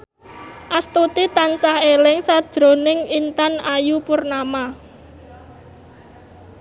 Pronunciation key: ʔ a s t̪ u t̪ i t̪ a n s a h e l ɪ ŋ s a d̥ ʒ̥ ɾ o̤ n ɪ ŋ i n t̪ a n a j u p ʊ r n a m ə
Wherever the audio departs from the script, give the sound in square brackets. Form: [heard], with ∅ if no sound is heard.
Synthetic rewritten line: ʔ a s t̪ u t̪ i t̪ a n s a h e l ɪ ŋ s a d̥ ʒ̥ ɾ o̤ n ɪ ŋ i n t̪ a n a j u p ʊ r n a m [a]